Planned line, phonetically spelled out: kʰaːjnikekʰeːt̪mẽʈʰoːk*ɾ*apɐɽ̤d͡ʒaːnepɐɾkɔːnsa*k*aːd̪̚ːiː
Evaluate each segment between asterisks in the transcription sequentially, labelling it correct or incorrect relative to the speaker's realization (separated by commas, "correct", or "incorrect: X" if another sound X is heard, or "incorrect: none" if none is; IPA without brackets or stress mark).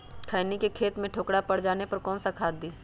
incorrect: ɽ, incorrect: kʰ